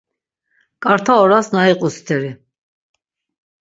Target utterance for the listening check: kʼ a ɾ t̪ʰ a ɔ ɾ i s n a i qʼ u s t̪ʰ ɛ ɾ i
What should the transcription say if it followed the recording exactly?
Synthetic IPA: kʼ a ɾ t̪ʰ a ɔ ɾ a s n a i qʼ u s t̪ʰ ɛ ɾ i

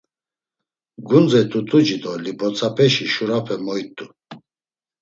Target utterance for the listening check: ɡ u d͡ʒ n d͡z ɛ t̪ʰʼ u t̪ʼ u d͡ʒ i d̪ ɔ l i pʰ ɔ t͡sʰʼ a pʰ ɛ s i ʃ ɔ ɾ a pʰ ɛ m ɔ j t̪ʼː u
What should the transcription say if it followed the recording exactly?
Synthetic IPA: ɡ u n d͡z ɛ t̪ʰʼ u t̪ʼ u d͡ʒ i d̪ ɔ l i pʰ ɔ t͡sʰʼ a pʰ ɛ ʃ i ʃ u ɾ a pʰ ɛ m ɔ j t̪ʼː u

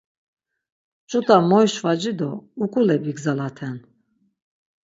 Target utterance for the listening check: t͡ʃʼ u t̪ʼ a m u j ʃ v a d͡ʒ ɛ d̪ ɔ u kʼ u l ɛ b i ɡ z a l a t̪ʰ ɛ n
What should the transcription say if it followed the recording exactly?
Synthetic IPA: t͡ʃʼ u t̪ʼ a m ɔ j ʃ v a d͡ʒ i d̪ ɔ u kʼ u l ɛ b i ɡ z a l a t̪ʰ ɛ n

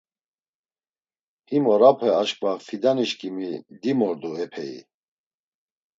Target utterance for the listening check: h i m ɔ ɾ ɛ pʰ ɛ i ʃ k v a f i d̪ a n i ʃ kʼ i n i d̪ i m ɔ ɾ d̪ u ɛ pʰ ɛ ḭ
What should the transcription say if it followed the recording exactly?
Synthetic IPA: h i m ɔ ɾ a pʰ ɛ a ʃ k v a f i d̪ a n i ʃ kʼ i m i d̪ i m ɔ ɾ d̪ u ɛ pʰ ɛ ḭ

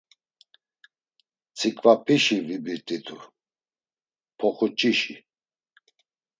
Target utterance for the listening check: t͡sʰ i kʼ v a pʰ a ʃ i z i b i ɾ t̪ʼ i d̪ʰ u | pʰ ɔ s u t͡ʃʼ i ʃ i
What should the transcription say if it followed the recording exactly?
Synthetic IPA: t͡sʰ i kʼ v a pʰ i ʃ i v i b i ɾ t̪ʼ i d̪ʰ u | pʰ ɔ χ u t͡ʃʼ i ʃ i

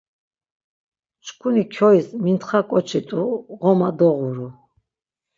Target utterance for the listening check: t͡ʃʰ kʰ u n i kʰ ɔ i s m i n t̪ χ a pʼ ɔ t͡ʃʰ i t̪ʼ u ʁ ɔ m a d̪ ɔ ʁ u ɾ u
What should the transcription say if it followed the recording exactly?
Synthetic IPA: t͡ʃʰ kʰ u n i kʰ ɔ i s m i n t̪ χ a kʼ ɔ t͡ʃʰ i t̪ʼ u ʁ ɔ m a d̪ ɔ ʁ u ɾ u

